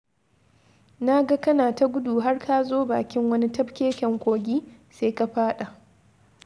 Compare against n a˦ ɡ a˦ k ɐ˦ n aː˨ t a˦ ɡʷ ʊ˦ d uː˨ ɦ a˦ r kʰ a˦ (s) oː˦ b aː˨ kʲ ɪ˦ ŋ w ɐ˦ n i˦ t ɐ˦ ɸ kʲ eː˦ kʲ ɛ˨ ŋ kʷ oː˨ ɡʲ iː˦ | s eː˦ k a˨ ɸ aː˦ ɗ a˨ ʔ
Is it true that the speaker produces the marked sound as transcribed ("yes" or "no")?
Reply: no